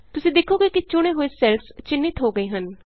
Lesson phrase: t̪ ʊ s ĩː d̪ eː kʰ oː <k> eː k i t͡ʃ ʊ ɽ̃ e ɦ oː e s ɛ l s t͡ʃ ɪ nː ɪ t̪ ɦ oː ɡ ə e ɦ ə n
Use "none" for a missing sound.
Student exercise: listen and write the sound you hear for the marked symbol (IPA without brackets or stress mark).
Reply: ɡ